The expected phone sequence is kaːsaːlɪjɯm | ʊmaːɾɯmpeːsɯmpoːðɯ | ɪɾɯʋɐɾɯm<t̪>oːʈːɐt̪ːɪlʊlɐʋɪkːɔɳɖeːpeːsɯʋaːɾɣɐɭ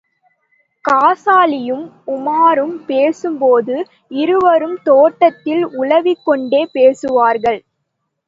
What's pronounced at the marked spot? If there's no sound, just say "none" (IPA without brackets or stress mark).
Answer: t̪